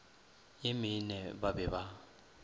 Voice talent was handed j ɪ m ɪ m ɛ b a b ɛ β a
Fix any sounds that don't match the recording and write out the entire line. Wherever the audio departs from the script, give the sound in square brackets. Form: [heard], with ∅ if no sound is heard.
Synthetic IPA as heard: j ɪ m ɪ [n] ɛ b a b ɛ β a